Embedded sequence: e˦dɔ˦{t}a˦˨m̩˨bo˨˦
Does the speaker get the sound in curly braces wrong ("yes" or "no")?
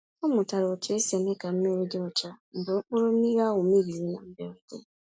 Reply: yes